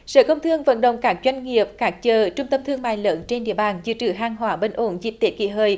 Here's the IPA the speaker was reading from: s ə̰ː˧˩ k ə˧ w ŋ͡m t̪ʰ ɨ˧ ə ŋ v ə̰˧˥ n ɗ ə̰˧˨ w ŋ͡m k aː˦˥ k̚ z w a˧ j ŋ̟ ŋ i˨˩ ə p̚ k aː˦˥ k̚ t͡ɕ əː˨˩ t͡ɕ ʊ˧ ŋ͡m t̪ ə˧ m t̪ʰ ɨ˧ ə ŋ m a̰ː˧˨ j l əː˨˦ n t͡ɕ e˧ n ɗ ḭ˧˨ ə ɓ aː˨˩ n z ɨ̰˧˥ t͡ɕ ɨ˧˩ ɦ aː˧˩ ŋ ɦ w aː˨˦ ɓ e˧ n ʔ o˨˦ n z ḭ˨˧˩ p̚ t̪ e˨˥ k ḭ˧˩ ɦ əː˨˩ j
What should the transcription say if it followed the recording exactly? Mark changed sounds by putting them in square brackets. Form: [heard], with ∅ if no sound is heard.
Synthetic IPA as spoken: s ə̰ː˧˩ k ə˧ w ŋ͡m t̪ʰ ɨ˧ ə ŋ v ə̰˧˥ n ɗ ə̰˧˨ w ŋ͡m k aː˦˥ k̚ z w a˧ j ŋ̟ ŋ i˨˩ ə p̚ k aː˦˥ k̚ t͡ɕ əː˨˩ t͡ɕ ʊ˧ ŋ͡m t̪ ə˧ m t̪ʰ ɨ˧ ə ŋ m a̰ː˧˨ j l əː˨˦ n t͡ɕ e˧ n ɗ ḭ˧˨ ə ɓ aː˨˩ n z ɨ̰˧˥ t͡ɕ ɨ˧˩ ɦ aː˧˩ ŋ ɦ w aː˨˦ ɓ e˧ n ʔ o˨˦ n z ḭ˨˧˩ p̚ t̪ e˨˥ k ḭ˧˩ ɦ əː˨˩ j